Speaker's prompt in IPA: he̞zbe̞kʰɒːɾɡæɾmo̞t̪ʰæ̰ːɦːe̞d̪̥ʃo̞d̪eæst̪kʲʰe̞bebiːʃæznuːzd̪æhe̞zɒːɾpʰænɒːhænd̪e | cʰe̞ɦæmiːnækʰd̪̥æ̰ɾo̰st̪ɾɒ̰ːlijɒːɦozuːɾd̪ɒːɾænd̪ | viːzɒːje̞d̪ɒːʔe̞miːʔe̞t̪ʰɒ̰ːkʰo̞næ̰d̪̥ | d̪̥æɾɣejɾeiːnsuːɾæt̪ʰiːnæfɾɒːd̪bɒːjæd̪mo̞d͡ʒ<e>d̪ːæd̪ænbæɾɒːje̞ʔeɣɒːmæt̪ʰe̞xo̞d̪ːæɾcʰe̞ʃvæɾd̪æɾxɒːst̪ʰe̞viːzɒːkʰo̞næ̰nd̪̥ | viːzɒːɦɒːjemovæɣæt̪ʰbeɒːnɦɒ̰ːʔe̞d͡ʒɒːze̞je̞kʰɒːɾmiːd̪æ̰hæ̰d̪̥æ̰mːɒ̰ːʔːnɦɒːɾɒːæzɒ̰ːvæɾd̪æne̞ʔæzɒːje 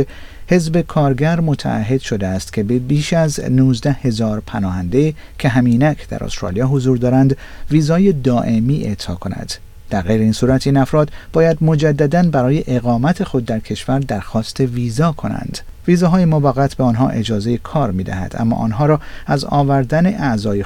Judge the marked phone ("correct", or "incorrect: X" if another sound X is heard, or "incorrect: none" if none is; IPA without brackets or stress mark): incorrect: æ